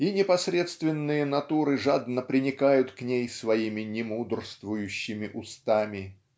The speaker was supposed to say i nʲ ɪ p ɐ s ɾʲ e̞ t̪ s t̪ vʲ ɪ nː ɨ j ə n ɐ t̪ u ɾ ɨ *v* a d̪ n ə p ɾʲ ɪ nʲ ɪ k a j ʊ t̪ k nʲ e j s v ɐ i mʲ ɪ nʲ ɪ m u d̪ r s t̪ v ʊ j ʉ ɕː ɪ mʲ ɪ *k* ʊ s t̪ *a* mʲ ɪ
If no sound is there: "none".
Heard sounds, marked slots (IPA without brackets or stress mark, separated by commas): ʐ, ʔ, a